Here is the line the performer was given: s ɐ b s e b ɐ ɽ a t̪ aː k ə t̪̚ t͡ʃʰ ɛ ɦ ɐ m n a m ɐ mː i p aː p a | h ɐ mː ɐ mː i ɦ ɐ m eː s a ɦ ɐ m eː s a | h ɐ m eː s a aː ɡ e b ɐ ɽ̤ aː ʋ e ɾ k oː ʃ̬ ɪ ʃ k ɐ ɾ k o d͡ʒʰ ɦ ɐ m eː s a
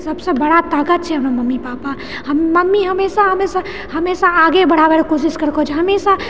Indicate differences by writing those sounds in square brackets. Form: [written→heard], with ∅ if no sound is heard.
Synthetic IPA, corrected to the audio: s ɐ b s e b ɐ ɽ a t̪ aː k ə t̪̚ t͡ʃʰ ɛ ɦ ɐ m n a m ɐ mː i p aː p a | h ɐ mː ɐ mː i ɦ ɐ m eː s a ɦ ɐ m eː s a | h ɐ m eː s a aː ɡ e b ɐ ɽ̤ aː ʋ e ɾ k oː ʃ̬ ɪ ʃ k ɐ ɾ k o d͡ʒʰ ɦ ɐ m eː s a